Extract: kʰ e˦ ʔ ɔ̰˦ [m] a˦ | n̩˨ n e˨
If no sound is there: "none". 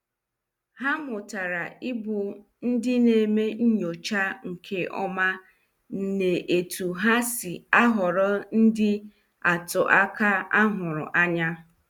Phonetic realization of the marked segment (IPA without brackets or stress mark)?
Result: m